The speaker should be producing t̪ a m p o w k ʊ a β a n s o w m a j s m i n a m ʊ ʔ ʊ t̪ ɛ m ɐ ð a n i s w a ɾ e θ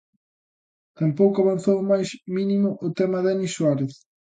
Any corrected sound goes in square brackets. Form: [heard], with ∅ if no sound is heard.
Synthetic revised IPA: t̪ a m p o w k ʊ a β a n [θ] o w m a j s m i n [i] m ʊ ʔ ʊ t̪ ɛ m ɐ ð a n i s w a ɾ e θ